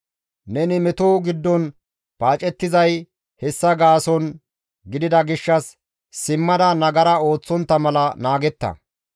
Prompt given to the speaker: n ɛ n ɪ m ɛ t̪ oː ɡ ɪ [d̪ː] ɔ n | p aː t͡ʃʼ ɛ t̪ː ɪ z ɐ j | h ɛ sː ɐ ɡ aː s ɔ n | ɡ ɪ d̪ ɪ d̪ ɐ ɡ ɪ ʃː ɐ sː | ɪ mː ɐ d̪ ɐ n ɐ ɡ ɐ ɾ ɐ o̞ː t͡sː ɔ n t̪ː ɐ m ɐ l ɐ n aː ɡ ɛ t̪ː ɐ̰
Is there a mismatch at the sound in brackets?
no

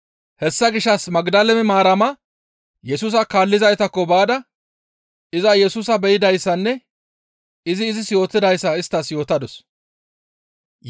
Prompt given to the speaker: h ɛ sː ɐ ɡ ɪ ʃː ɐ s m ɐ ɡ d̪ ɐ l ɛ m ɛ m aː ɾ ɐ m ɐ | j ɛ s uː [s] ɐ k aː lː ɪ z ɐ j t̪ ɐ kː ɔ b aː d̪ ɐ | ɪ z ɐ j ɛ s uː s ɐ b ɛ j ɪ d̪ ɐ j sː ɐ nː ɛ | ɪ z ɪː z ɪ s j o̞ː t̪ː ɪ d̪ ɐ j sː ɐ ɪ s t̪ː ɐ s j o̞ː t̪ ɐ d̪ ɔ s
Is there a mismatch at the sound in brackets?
no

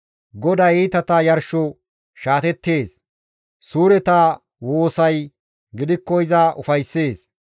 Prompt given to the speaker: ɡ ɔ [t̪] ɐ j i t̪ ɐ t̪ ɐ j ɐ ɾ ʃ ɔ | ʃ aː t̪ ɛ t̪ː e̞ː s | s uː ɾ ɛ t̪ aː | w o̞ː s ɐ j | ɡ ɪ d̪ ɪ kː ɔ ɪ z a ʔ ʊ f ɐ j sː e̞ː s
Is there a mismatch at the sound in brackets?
yes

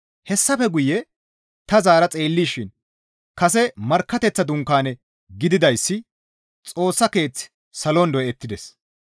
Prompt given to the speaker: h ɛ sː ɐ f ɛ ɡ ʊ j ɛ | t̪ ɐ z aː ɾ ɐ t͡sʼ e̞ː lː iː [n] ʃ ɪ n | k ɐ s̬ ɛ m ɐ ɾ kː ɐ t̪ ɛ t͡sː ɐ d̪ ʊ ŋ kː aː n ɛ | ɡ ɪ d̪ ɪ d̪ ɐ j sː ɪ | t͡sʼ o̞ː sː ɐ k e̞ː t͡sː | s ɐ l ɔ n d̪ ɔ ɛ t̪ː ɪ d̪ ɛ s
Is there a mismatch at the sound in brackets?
yes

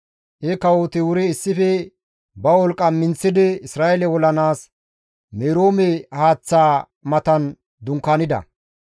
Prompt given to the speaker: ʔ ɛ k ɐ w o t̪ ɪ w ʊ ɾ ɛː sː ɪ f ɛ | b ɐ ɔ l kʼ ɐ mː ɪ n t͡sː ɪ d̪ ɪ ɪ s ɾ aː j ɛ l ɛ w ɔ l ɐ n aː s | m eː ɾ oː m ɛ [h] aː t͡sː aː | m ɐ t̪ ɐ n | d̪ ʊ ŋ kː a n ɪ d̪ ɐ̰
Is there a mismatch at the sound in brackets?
no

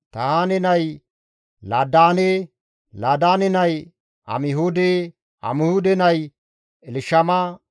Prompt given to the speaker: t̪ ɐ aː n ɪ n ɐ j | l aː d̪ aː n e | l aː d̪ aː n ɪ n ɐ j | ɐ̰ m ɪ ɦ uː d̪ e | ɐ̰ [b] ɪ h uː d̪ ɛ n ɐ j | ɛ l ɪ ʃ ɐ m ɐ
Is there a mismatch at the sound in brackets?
yes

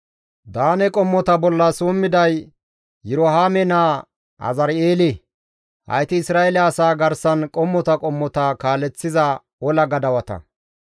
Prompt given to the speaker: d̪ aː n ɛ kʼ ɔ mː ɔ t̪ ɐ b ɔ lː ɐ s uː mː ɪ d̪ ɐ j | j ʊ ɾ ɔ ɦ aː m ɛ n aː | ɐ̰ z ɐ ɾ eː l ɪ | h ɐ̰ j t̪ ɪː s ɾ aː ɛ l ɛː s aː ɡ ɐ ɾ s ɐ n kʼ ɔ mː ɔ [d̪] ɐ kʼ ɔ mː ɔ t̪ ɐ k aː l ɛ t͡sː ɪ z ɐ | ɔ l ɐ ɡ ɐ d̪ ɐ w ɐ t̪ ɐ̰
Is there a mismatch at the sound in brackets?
yes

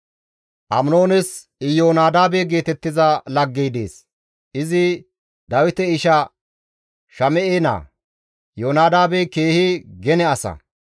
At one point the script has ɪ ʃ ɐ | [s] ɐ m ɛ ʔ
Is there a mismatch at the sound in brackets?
yes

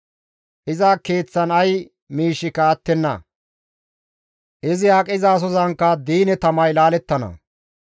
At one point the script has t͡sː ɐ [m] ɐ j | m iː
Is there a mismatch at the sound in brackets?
yes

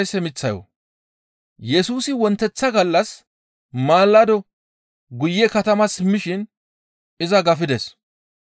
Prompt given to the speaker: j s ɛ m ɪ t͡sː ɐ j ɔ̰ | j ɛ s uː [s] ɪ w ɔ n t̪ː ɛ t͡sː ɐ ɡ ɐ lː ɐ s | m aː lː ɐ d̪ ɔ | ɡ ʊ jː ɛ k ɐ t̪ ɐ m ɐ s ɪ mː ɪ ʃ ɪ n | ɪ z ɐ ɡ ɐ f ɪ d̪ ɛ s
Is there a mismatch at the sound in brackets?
no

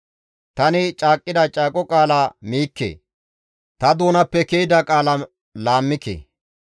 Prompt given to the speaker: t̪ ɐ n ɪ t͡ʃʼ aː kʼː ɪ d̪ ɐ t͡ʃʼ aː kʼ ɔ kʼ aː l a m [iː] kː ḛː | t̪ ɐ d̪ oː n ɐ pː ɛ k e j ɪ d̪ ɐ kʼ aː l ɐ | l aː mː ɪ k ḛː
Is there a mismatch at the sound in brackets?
no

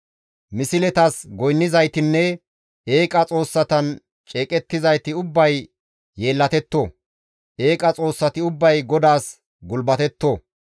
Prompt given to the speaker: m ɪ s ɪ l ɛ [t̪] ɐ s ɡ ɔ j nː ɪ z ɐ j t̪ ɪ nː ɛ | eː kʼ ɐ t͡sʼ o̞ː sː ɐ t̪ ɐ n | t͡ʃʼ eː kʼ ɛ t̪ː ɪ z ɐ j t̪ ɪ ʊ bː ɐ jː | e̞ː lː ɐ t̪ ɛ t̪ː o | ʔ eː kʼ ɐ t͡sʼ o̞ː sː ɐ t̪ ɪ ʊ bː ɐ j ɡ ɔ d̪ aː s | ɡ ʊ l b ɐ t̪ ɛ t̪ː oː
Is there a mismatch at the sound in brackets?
no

